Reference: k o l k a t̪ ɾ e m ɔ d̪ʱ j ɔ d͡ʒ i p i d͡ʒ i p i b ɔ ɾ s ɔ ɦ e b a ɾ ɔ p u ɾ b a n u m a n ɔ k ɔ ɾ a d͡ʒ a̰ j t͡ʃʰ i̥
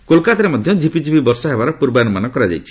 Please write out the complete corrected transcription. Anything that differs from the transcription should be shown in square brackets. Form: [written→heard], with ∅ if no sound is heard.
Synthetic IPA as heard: k o l k a t̪ ɾ e m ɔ d̪ʱ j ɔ d͡ʒ i p i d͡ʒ i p i b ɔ ɾ s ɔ ɦ e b a ɾ ɔ p u ɾ b a n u m a n ɔ k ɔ ɾ a d͡ʒ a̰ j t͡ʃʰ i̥